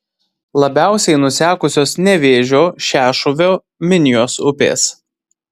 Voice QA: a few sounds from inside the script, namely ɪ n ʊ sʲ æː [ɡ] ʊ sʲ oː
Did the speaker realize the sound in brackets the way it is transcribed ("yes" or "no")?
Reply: no